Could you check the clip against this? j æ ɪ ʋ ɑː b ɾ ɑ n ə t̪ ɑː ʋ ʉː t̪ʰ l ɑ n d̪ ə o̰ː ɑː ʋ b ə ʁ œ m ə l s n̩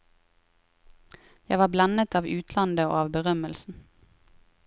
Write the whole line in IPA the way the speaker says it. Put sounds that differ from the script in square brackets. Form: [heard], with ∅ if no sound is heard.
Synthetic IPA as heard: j æ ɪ ʋ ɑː b [l] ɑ n ə t̪ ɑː ʋ ʉː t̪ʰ l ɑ n d̪ ə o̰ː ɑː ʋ b ə ʁ œ m ə l s n̩